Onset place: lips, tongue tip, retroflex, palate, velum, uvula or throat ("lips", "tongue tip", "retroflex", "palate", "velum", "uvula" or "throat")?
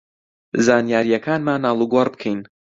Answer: tongue tip